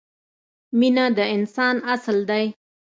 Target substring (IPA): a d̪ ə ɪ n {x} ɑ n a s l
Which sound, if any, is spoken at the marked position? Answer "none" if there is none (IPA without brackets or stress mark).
s